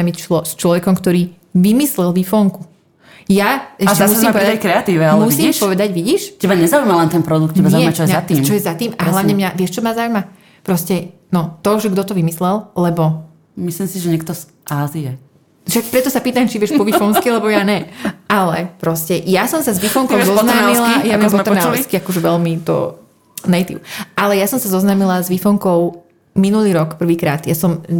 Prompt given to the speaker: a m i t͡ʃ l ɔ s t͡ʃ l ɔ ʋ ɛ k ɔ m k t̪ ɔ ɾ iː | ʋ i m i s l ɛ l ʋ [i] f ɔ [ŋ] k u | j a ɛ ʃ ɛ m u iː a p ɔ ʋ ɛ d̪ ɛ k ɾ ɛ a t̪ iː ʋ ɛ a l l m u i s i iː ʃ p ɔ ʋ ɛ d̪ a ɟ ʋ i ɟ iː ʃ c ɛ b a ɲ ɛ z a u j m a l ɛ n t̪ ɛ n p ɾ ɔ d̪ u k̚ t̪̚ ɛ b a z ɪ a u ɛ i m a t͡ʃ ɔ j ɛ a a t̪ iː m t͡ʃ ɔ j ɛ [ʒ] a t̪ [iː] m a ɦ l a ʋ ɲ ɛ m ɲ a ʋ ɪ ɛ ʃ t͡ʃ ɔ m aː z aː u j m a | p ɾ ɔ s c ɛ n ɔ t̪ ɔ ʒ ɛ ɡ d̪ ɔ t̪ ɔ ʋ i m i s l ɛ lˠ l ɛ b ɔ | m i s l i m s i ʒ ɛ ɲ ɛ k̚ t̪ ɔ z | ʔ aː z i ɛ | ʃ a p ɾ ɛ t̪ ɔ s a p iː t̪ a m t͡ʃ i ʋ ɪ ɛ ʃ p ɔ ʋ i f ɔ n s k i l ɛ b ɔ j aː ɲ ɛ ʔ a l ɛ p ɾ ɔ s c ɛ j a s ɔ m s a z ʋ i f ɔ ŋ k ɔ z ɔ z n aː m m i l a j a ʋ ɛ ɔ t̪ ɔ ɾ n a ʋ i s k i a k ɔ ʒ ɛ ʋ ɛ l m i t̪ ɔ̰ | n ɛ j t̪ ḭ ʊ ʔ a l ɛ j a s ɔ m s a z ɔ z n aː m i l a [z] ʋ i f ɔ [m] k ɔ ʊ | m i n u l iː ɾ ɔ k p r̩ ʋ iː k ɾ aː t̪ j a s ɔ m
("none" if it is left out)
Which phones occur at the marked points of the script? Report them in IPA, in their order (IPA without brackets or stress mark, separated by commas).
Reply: i, ŋ, z, iː, z, ŋ